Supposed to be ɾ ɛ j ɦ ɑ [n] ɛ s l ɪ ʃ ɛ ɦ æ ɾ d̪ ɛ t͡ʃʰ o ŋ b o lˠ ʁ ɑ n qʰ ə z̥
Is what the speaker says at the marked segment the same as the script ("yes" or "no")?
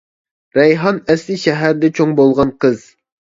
yes